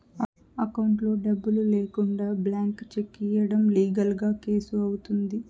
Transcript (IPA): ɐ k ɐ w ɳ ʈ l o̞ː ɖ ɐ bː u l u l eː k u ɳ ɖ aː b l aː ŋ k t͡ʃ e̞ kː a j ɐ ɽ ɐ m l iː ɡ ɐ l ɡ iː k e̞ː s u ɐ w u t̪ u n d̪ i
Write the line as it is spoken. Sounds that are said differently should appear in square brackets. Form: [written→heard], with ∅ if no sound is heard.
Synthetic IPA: ɐ k ɐ w ɳ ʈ l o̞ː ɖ ɐ bː u l u l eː k u ɳ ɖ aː b l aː ŋ k t͡ʃ e̞ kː [a→i] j ɐ ɽ ɐ m l iː ɡ ɐ l ɡ [iː→aː] k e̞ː s u ɐ w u t̪ u n d̪ i